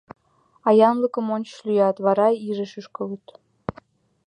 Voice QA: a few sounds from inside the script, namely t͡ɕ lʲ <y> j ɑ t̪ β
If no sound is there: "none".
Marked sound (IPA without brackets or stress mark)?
y